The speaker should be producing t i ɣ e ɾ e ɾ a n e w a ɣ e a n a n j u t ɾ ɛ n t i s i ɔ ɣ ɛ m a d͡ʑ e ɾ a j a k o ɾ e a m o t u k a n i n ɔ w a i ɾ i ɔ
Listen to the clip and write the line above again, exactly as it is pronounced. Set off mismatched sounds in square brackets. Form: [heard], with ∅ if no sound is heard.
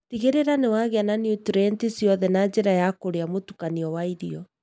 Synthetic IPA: t i ɣ e ɾ e ɾ a n e w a ɣ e a n a n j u t ɾ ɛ n t i s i ɔ [ð] ɛ [n] a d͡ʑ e ɾ a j a k o ɾ e a m o t u k a n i [∅] ɔ w a i ɾ i ɔ